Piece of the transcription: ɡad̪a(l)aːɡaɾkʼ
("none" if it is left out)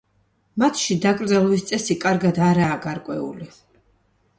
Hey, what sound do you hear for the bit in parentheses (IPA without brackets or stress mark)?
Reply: ɾ